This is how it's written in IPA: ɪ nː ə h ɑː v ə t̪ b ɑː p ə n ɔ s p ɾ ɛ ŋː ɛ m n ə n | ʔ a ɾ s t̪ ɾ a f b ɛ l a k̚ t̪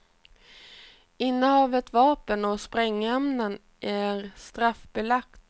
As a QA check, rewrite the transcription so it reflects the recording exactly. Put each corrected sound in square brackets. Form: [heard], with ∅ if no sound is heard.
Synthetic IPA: ɪ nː ə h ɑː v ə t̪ [v] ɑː p ə n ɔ s p ɾ ɛ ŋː ɛ m n ə n | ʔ [æ] ɾ s t̪ ɾ a f b ɛ l a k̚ t̪